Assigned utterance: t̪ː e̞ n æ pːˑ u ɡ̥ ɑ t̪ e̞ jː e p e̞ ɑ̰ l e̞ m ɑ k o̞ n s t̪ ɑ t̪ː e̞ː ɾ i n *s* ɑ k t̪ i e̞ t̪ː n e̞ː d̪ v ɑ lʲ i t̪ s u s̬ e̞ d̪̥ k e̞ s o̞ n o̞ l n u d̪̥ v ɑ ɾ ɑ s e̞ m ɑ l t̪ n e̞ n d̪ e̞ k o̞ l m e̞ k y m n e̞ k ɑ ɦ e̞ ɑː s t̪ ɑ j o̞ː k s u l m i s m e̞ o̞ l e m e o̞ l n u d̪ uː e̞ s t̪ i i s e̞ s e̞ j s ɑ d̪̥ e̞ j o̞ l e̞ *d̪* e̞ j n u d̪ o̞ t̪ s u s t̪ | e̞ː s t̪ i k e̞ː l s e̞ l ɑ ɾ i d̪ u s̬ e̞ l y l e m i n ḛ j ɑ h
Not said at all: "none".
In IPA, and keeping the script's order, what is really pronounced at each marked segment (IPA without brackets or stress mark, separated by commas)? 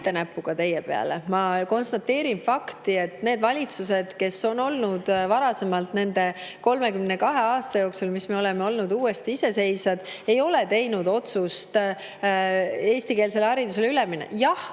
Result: f, t̪